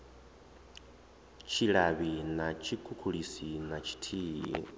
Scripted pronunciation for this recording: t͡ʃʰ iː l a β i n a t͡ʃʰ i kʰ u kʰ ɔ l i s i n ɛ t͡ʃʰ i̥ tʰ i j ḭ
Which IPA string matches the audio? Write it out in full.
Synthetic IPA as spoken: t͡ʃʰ i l a β i n a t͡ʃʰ i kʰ u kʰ u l i s i n a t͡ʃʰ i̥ tʰ i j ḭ